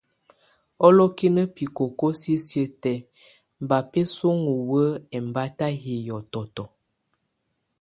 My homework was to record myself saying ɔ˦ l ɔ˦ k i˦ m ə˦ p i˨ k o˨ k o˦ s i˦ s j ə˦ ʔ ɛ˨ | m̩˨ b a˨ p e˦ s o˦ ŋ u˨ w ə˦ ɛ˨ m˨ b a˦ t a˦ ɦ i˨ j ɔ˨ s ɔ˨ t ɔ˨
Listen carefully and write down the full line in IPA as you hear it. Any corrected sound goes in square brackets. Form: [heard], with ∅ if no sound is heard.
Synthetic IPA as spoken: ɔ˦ l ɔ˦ k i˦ [n] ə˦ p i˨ k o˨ k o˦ s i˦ s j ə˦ [t] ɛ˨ | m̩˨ b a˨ p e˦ s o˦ ŋ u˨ w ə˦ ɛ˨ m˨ b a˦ t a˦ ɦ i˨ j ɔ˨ [t] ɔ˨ t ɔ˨